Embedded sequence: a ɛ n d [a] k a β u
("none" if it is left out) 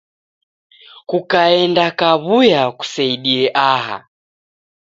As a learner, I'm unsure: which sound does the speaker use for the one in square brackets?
a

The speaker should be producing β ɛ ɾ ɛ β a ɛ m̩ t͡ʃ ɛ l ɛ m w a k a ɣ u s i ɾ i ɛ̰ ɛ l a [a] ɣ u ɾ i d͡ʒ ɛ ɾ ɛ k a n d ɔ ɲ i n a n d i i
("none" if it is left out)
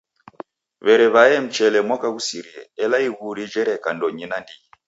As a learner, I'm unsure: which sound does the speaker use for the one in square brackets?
i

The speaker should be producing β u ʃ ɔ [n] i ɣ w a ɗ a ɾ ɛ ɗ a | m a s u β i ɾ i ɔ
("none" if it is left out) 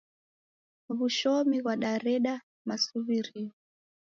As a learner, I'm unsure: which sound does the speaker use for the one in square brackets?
m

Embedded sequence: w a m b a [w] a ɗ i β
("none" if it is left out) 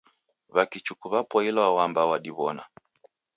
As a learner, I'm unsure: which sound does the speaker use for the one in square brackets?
w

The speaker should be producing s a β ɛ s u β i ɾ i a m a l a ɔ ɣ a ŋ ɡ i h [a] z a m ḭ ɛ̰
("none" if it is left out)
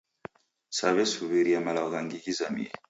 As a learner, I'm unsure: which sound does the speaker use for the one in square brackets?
i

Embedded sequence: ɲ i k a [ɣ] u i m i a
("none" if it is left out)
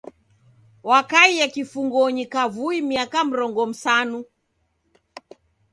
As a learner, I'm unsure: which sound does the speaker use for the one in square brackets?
v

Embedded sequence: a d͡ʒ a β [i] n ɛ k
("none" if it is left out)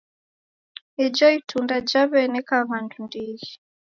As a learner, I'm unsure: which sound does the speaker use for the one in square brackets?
ɛ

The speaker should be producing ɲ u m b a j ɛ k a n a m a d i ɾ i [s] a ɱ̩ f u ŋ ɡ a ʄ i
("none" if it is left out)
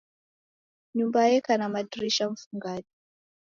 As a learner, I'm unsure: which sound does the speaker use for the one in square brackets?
ʃ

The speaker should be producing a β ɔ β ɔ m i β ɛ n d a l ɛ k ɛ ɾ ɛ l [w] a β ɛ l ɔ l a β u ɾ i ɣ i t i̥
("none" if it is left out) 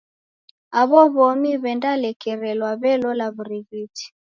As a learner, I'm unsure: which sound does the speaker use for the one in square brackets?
w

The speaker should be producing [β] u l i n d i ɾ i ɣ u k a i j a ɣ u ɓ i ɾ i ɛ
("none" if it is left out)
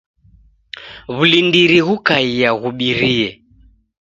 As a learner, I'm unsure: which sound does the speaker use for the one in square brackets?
β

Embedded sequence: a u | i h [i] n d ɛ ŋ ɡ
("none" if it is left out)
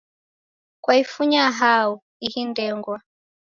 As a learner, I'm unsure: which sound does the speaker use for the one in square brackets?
i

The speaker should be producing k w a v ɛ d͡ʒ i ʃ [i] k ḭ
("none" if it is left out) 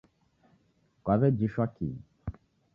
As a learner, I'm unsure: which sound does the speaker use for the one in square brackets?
a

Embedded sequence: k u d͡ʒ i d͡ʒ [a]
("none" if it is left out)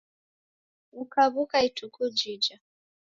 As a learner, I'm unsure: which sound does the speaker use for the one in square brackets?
a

